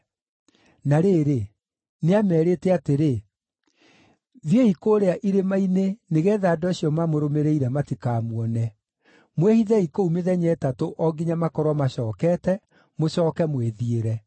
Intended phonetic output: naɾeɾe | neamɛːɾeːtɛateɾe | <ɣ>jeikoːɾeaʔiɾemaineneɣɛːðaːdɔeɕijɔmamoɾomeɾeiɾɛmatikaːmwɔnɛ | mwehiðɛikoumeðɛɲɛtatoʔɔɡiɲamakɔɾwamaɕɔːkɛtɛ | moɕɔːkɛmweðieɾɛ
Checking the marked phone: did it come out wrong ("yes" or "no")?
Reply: yes